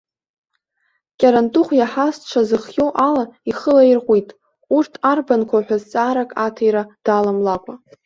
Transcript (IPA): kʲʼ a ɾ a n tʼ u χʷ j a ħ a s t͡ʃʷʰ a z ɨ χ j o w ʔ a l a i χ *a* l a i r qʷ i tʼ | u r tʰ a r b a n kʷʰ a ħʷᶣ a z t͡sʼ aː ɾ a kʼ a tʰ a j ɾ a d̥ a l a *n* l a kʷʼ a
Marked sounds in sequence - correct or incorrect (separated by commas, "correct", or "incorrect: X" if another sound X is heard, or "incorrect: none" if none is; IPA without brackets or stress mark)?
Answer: incorrect: ə, incorrect: m